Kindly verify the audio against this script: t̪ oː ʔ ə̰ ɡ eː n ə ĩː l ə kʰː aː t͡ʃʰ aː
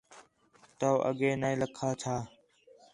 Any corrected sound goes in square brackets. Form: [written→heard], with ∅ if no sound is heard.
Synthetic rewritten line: t̪ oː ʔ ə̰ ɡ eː n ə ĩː l ə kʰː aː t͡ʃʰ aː